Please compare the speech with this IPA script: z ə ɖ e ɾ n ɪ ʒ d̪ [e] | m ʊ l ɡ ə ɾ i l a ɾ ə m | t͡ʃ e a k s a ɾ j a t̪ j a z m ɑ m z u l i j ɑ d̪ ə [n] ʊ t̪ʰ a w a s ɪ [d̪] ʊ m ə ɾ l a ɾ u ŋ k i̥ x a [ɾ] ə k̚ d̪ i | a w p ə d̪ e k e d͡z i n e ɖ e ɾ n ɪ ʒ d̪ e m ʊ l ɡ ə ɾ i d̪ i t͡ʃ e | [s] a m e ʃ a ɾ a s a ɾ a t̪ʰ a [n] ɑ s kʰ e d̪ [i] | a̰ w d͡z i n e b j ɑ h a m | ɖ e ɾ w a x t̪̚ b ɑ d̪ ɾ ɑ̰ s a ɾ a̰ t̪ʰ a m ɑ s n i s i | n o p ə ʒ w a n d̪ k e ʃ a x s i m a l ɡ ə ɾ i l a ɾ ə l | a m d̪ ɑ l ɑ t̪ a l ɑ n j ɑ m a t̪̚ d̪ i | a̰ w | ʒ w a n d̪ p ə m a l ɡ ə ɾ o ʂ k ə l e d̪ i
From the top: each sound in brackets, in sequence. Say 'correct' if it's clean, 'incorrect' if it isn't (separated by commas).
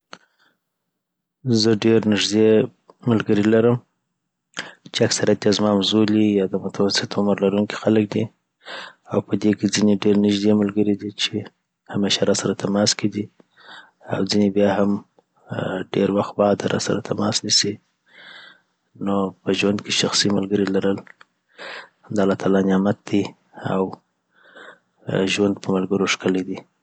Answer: correct, incorrect, incorrect, incorrect, incorrect, incorrect, correct